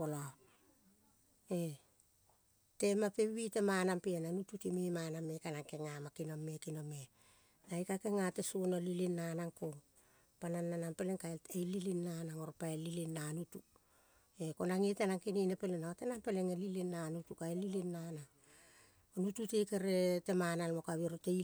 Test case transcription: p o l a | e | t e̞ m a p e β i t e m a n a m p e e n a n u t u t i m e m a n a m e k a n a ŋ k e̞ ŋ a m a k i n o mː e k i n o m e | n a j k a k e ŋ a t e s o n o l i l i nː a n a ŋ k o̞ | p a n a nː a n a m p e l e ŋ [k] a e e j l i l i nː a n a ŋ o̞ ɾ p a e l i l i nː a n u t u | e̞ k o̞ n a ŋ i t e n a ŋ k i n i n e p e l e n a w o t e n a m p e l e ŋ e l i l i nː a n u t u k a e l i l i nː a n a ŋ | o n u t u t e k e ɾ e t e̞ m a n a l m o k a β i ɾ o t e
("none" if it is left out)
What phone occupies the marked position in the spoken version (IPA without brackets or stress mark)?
k